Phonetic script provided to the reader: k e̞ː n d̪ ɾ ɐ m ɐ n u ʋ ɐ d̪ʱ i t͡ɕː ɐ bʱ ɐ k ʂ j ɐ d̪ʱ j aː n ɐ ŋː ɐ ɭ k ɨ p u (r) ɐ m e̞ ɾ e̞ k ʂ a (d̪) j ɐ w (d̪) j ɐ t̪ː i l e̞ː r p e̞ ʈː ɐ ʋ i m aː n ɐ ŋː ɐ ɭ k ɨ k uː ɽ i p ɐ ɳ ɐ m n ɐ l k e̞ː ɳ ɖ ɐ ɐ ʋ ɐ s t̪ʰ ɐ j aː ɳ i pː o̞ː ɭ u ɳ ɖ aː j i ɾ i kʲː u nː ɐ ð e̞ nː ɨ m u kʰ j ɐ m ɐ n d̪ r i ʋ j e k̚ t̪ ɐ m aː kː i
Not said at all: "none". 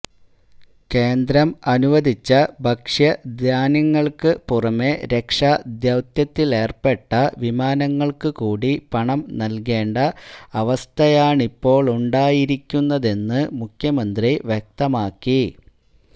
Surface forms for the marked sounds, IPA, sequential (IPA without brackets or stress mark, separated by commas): r, d̪, t̪